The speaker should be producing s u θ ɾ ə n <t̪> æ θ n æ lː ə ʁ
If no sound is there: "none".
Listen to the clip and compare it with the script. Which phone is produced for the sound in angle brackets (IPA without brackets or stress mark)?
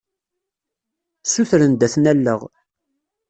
d̪